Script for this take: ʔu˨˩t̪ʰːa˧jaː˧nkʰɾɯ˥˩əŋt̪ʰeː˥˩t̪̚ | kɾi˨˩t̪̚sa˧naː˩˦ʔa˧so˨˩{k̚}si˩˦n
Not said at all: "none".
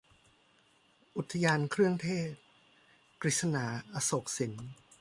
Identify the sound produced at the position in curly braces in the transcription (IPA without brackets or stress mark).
k̚